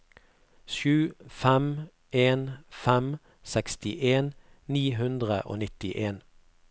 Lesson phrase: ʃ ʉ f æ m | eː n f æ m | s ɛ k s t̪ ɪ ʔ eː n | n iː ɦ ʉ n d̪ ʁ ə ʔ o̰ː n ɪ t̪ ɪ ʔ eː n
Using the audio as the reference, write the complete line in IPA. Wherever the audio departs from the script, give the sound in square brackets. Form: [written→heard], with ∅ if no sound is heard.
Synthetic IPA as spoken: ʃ [ʉ→ʉː] f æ m | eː n f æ m | s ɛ k s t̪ ɪ ʔ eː n | n iː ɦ ʉ n d̪ ʁ ə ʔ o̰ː n ɪ t̪ ɪ ʔ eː n

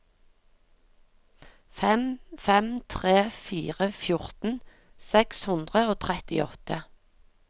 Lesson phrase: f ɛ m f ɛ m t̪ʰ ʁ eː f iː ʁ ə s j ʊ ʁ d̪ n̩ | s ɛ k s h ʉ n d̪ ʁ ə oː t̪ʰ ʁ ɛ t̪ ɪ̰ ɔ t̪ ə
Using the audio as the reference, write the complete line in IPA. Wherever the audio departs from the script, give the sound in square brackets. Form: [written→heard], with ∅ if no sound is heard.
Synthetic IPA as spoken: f ɛ m f ɛ m t̪ʰ ʁ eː f iː ʁ ə [s→f] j ʊ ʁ [d̪→t̪] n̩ | s ɛ k s h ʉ n d̪ ʁ ə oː t̪ʰ ʁ ɛ t̪ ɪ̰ ɔ t̪ ə

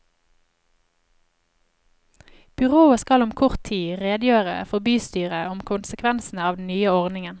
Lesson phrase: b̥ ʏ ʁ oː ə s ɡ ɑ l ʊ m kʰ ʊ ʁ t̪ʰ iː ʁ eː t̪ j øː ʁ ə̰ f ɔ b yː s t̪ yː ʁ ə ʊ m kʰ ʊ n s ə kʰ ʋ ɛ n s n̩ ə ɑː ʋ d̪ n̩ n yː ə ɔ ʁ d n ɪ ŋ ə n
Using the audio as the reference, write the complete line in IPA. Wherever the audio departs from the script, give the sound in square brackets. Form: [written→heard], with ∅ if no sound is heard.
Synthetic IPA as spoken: b̥ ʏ ʁ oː ə s [ɡ→k] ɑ l ʊ m kʰ ʊ ʁ t̪ʰ iː ʁ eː [t̪→d̪] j øː ʁ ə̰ f ɔ b yː s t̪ yː ʁ ə ʊ m kʰ ʊ n s ə kʰ ʋ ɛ n s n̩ ə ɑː ʋ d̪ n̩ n yː ə ɔ ʁ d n ɪ ŋ ə n

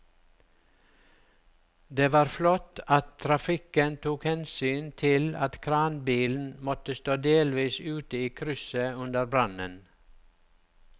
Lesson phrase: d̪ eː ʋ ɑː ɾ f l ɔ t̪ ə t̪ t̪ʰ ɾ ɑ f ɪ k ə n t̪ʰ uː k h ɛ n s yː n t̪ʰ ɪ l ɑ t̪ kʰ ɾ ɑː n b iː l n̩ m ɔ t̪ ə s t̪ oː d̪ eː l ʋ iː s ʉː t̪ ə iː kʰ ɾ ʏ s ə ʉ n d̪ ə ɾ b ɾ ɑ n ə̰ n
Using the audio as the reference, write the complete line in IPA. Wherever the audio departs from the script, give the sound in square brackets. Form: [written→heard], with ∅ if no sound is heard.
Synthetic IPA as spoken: d̪ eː ʋ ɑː ɾ f l ɔ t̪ [ə→ɑ] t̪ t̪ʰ ɾ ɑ f ɪ k ə n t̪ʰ uː k h ɛ n s yː n t̪ʰ ɪ l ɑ t̪ kʰ ɾ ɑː n b iː l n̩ m ɔ t̪ ə s t̪ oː d̪ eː l ʋ iː s ʉː t̪ ə iː kʰ ɾ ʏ s ə ʉ n d̪ ə ɾ b ɾ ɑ n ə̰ n

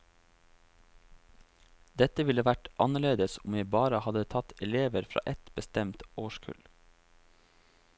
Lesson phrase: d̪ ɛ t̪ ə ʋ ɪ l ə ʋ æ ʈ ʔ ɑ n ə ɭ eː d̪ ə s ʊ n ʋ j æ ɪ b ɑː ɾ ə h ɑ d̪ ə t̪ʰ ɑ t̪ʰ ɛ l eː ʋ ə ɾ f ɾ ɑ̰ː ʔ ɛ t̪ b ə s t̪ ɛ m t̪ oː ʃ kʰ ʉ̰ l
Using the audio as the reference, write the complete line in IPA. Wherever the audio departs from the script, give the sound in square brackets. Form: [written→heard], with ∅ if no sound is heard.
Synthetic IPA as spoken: d̪ ɛ t̪ ə ʋ ɪ l ə ʋ æ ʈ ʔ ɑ n ə ɭ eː d̪ ə s ʊ [n→m] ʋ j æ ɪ b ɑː ɾ ə h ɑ d̪ ə t̪ʰ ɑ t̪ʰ ɛ l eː ʋ ə ɾ f ɾ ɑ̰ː ʔ ɛ t̪ b ə s t̪ ɛ m t̪ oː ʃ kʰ ʉ̰ l

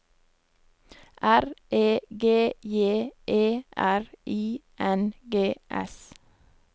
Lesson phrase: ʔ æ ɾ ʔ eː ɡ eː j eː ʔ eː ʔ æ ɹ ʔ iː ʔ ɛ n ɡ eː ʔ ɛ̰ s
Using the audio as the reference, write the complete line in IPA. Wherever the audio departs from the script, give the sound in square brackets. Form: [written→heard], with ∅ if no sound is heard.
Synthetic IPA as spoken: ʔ æ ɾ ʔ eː ɡ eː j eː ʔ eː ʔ æ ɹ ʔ iː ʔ ɛ n ɡ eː ʔ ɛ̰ s

